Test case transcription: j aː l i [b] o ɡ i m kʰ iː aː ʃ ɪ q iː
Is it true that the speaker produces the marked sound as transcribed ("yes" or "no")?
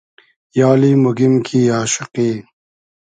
no